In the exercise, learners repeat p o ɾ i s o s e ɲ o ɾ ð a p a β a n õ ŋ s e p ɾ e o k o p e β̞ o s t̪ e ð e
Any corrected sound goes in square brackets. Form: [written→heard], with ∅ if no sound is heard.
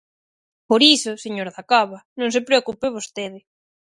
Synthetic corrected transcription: p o ɾ i s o s e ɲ o ɾ ð a [p→k] a β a n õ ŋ s e p ɾ e o k [o→u] p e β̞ o s t̪ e ð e